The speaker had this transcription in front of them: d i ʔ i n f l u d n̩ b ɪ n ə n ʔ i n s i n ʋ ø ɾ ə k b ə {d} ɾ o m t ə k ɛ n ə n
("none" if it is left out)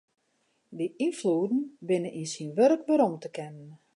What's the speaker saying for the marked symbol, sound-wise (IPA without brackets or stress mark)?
none